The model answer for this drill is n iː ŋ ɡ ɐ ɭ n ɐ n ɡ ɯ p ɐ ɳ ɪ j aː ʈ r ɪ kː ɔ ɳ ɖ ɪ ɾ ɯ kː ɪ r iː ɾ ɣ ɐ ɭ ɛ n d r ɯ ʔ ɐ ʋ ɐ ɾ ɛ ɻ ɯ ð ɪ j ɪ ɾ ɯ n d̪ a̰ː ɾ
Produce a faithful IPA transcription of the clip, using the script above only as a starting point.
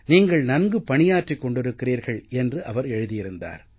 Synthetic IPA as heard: n iː ŋ ɡ ɐ ɭ n ɐ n ɡ ɯ p ɐ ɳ ɪ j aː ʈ r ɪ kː ɔ ɳ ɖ ɪ ɾ ɯ kː ɪ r iː ɾ ɣ ɐ ɭ ɛ n d r ɯ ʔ ɐ ʋ ɐ ɾ ɛ ɻ ɯ ð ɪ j ɪ ɾ ɯ n d̪ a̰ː ɾ